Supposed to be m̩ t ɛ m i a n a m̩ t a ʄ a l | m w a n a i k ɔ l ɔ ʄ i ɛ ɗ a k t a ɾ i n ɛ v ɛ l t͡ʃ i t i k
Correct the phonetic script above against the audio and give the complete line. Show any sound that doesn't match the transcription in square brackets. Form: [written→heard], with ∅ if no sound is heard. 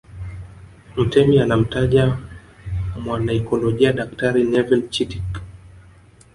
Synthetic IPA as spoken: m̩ t ɛ m i a n a m̩ t a ʄ a [l→∅] | m w a n a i k ɔ l ɔ ʄ i [ɛ→a] ɗ a k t a ɾ i n ɛ v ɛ l t͡ʃ i t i k